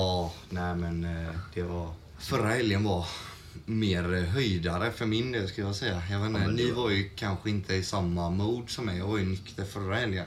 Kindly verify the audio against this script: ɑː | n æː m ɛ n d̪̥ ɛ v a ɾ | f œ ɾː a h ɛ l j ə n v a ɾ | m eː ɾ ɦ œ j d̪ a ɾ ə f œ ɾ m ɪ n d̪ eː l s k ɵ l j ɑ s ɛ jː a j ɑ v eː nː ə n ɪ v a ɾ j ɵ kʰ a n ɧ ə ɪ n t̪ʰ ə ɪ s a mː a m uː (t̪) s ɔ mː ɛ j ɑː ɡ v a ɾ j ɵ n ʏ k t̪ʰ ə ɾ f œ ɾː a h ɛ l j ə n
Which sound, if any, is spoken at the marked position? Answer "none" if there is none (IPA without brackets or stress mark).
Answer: d̪